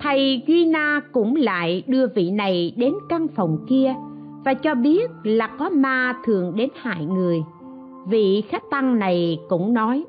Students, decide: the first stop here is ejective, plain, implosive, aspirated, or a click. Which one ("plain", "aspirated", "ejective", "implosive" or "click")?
aspirated